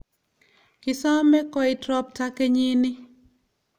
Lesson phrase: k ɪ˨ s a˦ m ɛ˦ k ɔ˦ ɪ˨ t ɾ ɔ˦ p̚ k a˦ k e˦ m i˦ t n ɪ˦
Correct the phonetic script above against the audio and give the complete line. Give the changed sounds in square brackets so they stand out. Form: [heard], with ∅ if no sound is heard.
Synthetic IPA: k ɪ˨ s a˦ m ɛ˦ k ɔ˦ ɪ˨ t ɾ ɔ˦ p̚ [t] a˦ k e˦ [ɲ] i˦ [∅] n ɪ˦